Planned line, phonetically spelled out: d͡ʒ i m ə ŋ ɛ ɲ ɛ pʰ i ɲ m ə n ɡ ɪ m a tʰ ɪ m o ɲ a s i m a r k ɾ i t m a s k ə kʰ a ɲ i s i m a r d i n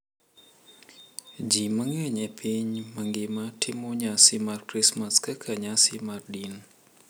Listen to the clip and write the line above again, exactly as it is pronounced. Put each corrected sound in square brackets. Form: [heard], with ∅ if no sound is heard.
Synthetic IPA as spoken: d͡ʒ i m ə ŋ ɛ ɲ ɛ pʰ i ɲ m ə [ŋ] ɡ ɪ m a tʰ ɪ m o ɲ a s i m a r k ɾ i [s] m a s k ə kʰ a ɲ [a] s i m a r d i n